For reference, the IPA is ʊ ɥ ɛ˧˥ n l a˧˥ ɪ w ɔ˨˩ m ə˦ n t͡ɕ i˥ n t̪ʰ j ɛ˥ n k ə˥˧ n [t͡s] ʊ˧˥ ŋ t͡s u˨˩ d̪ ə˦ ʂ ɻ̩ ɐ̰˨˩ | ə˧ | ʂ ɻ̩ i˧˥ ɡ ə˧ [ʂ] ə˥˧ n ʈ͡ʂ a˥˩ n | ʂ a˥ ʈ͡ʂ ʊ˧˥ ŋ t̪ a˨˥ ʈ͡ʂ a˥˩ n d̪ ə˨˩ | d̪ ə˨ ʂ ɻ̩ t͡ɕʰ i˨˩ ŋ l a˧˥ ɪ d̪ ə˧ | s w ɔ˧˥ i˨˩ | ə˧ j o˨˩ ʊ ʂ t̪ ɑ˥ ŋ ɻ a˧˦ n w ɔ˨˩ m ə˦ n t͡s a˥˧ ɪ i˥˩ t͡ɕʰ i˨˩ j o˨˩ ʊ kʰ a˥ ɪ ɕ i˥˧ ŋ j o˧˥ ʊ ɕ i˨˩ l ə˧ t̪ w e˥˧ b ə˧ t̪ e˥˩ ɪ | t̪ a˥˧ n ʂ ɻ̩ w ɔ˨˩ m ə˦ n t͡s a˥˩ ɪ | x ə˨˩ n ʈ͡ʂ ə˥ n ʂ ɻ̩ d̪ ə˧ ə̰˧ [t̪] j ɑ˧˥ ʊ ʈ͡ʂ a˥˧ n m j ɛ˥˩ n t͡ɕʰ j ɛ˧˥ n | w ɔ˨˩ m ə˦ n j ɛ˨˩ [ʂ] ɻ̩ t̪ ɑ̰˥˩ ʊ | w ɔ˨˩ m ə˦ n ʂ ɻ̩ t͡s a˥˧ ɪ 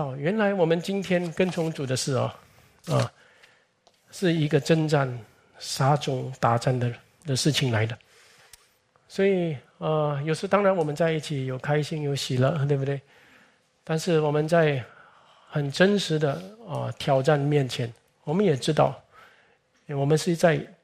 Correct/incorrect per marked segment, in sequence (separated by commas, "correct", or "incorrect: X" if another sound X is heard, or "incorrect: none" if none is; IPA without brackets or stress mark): incorrect: t͡sʰ, incorrect: ʈ͡ʂ, incorrect: t̪ʰ, incorrect: ʈ͡ʂ